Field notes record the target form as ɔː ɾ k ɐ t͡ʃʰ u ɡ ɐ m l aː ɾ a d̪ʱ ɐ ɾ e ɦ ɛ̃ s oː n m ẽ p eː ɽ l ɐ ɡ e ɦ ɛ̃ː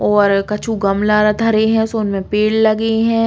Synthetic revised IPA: ɔː ɾ k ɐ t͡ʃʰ u ɡ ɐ m l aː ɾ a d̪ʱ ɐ ɾ e ɦ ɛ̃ s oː n m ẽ p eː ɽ l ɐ ɡ e ɦ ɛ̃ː